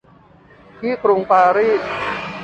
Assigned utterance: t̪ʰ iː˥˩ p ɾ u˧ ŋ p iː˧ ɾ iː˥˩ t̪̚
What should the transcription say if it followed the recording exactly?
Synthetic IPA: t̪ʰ iː˥˩ k ɾ u˧ ŋ p aː˧ ɾ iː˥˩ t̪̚